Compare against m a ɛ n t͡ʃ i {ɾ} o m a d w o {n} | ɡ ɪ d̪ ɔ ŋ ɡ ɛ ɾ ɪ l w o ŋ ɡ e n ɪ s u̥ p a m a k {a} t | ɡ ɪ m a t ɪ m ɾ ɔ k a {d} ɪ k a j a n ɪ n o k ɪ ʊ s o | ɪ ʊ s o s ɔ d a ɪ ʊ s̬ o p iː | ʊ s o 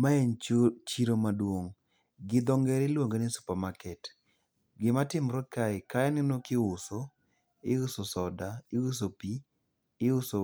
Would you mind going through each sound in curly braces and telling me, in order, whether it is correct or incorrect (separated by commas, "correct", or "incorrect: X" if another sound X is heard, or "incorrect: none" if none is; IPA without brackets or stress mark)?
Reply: correct, incorrect: ŋ, incorrect: ɛ, incorrect: none